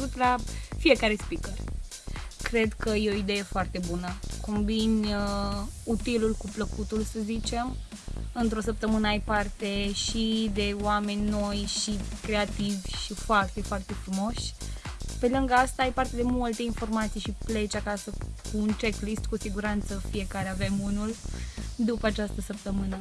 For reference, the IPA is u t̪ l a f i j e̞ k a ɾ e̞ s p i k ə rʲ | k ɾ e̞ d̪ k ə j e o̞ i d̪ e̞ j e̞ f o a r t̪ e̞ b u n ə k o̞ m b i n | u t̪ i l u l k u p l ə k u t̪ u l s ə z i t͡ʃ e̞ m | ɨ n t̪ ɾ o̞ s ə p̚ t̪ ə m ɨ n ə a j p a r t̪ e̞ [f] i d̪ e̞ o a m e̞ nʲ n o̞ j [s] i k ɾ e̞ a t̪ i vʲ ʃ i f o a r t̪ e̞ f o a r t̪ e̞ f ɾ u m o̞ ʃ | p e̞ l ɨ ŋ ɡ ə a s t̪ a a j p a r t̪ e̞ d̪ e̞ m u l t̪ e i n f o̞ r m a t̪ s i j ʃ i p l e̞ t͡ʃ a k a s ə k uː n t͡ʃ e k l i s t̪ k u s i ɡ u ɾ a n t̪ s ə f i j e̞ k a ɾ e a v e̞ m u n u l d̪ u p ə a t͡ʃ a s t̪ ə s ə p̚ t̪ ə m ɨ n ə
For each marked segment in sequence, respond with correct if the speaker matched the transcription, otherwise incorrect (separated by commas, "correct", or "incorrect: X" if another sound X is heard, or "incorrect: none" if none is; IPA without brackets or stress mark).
incorrect: ʃ, incorrect: ʃ